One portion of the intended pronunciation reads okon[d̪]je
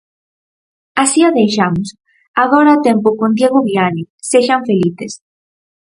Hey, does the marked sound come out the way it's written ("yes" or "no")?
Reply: yes